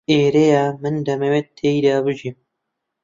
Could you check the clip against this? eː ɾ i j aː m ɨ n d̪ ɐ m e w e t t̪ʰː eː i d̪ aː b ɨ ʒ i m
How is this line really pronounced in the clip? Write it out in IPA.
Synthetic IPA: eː ɾ e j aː m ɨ n d̪ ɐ m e w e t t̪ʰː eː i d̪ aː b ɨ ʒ i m